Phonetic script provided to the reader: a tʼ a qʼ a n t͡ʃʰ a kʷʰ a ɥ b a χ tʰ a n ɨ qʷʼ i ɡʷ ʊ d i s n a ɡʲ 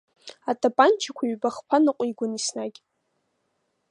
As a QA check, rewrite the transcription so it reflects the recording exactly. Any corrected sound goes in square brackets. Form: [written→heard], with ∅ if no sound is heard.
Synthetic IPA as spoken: a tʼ a [qʼ→pʼ] a n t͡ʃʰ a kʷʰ a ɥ b a χ [tʰ→pʰ] a n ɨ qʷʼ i ɡʷ ʊ [d→n] i s n a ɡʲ